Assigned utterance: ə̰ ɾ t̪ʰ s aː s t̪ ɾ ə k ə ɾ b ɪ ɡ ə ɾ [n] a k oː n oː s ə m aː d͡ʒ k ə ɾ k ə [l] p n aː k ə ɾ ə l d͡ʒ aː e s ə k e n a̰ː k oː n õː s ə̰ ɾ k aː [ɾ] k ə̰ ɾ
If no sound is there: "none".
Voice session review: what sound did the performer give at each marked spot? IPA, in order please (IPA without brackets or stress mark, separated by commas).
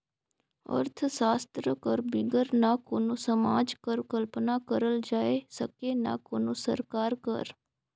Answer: n, l, ɾ